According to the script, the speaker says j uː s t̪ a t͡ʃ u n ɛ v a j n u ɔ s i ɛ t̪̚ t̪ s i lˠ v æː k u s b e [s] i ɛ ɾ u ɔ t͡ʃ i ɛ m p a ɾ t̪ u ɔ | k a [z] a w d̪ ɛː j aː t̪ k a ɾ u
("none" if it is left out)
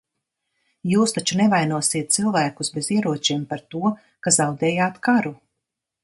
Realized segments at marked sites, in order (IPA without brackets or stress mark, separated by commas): z, z